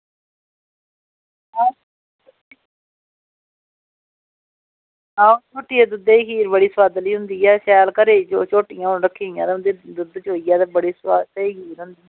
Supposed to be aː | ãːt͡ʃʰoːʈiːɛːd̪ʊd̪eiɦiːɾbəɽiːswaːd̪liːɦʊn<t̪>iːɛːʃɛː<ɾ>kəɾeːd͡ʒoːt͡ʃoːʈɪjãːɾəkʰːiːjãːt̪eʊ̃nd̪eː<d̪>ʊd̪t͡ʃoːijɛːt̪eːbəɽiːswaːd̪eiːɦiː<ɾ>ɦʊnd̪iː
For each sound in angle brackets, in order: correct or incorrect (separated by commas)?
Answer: incorrect, incorrect, correct, correct